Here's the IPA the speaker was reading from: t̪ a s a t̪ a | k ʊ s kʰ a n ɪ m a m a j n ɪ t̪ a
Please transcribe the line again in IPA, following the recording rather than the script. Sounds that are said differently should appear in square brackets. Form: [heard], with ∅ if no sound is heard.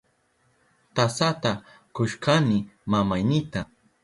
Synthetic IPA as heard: t̪ a s a t̪ a | k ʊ [ʃ] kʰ a n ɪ m a m a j n ɪ t̪ a